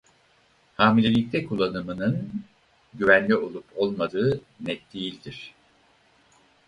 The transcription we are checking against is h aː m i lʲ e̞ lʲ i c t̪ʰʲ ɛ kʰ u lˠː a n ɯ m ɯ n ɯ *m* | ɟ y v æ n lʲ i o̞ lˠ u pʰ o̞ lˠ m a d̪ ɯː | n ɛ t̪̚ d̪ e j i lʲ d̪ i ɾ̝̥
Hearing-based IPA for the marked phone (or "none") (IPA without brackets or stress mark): n